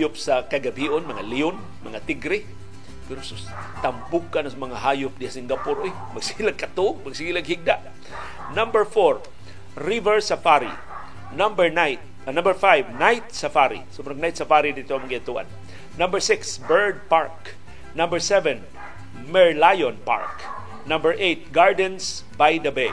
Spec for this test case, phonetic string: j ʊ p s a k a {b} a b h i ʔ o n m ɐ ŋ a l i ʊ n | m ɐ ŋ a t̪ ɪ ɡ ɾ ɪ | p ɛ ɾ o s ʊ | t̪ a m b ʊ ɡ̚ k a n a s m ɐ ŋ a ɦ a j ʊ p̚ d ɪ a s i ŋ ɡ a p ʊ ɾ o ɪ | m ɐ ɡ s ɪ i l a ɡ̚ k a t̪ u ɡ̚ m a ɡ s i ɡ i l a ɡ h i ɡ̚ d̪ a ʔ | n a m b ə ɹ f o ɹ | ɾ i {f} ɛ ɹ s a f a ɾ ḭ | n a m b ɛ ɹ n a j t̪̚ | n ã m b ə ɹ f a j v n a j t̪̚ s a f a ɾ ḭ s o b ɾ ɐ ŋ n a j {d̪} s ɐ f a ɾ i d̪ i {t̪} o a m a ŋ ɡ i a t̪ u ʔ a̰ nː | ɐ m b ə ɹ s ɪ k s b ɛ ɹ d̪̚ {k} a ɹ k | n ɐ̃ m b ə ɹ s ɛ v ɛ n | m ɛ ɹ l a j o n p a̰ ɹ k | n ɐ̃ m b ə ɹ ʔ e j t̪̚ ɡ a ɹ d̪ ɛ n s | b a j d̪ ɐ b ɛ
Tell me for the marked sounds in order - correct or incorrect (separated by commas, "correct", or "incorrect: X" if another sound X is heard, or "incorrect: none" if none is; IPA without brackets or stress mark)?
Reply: incorrect: ɡ, incorrect: v, incorrect: t̪, correct, incorrect: p